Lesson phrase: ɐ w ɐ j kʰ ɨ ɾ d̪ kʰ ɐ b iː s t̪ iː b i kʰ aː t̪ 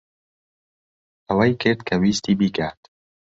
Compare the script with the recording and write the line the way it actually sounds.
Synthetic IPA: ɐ w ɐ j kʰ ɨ ɾ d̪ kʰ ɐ w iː s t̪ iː b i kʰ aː t̪